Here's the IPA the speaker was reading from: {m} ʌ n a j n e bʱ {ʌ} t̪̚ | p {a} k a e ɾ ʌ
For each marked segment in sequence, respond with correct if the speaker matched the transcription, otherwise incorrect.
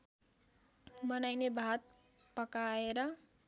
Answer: incorrect: b, incorrect: a, incorrect: ʌ

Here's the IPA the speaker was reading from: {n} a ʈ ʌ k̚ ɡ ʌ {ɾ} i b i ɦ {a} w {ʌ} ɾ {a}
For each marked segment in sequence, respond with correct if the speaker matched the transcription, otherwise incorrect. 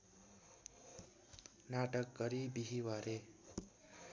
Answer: correct, correct, incorrect: i, incorrect: a, incorrect: e

